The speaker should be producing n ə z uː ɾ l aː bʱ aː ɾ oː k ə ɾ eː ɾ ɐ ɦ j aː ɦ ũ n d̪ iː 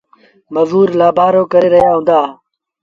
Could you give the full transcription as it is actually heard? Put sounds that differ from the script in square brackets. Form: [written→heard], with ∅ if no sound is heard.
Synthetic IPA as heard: [n→m] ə z uː ɾ l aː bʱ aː ɾ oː k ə ɾ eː ɾ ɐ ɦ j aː ɦ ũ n d̪ [iː→aː]